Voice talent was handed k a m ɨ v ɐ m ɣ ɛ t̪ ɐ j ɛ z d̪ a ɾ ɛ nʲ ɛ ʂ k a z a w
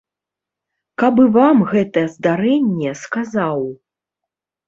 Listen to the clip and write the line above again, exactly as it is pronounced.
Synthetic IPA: k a b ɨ v a m ɣ ɛ t̪ ɐ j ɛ z d̪ a ɾ ɛ nʲː ɛ s k a z a w